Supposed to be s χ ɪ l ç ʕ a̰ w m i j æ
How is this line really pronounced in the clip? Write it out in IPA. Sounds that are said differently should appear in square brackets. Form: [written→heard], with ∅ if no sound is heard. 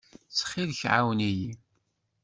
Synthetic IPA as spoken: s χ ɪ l ç ʕ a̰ w [m→n] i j [æ→i]